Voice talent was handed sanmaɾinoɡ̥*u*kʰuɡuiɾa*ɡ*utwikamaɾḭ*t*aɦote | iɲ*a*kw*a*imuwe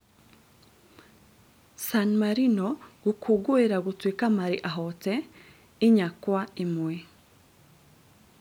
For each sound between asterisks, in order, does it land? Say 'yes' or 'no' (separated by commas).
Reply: yes, yes, no, yes, yes